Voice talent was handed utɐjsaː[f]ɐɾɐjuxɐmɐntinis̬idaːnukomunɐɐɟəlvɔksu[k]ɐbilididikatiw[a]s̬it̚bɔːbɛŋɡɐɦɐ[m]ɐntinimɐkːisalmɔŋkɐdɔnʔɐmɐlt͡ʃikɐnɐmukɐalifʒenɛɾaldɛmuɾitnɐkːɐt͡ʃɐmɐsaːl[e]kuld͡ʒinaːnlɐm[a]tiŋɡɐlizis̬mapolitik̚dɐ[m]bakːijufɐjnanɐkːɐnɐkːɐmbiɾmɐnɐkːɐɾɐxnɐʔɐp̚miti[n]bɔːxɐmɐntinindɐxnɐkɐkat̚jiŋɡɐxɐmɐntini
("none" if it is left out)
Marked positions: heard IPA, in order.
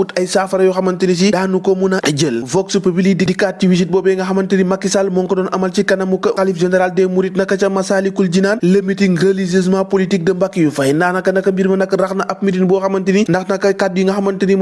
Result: f, p, i, m, i, i, m, n

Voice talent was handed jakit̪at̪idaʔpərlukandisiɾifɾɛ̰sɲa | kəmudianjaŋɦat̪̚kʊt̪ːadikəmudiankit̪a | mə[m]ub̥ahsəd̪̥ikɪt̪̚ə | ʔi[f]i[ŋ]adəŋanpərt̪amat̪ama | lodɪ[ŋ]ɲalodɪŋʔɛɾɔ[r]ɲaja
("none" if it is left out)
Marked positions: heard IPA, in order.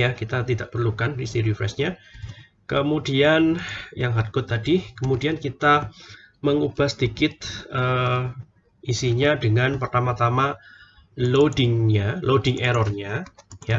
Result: ŋ, s, ɲ, ŋ, r

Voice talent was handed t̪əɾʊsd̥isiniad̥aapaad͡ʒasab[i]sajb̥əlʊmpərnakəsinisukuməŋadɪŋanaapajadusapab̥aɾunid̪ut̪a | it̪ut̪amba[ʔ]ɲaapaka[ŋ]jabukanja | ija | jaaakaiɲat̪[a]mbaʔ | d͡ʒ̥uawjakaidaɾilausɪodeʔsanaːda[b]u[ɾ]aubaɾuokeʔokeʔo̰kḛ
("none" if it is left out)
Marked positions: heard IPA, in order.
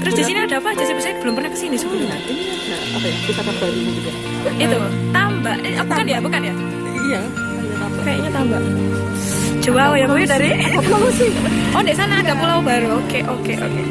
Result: i, ʔ, n, a, p, l

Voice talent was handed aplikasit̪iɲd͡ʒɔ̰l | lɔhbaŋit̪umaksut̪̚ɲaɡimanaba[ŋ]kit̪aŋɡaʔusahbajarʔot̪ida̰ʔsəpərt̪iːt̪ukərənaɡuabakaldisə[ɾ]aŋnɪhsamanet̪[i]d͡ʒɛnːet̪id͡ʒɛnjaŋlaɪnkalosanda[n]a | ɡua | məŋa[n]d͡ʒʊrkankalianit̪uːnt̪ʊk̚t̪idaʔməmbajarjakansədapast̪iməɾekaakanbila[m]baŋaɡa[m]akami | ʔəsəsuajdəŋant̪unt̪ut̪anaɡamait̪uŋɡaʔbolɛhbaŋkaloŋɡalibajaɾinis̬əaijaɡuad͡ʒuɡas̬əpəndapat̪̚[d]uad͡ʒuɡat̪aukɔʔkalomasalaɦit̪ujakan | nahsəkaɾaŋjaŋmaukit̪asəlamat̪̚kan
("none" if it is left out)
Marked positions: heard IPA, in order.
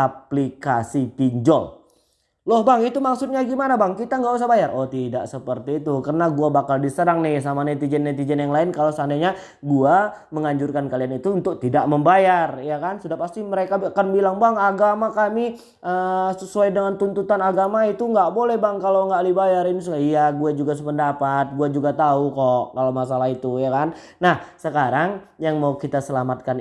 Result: ŋ, ɾ, i, ɲ, ɲ, ŋ, m, ɡ

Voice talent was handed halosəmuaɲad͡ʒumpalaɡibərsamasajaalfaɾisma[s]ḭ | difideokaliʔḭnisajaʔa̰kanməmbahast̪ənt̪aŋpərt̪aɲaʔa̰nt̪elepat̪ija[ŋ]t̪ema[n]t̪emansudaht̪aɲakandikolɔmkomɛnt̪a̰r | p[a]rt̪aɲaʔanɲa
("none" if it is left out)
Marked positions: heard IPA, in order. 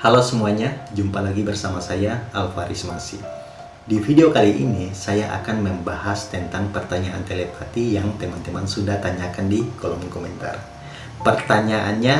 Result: s, ŋ, n, ə

